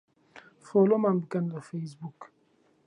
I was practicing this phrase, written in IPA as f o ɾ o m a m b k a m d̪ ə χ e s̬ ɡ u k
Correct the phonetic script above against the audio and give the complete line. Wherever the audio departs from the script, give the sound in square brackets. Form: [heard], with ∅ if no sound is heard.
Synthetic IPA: f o [l] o m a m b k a [n] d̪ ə [f] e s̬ [b] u k